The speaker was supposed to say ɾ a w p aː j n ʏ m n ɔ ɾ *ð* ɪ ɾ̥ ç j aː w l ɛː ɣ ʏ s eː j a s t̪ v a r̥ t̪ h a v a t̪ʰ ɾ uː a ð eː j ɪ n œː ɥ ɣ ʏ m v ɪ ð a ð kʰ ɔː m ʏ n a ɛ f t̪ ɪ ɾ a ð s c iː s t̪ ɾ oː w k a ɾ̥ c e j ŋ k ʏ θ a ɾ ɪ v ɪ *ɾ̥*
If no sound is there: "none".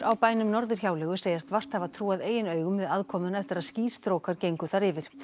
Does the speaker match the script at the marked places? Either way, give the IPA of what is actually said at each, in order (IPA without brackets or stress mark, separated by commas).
ð, ɾ̥